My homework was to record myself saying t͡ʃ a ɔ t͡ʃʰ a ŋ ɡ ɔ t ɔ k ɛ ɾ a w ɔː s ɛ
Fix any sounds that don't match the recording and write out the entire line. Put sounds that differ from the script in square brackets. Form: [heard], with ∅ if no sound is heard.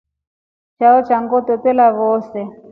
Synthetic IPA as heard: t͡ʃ a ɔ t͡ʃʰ a ŋ ɡ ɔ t ɔ [t] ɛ [l] a [β] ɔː s ɛ